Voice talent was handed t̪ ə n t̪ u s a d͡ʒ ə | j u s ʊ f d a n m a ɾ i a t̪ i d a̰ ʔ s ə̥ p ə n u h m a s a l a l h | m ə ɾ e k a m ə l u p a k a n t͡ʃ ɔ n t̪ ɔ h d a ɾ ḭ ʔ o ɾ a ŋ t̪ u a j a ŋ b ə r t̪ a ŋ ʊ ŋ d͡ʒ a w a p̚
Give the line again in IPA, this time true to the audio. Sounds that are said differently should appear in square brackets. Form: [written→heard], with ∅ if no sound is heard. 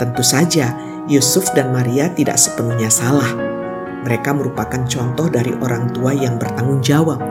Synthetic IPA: t̪ ə n t̪ u s a d͡ʒ [ə→a] | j u s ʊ f d a n m a ɾ i a t̪ i d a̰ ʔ s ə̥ p ə n u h [m→ɲ] a s a l a [l→∅] h | m ə ɾ e k a m ə [l→ɾ] u p a k a n t͡ʃ ɔ n t̪ ɔ h d a ɾ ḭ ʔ o ɾ a ŋ t̪ u a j a ŋ b ə r t̪ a ŋ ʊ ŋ d͡ʒ a w a p̚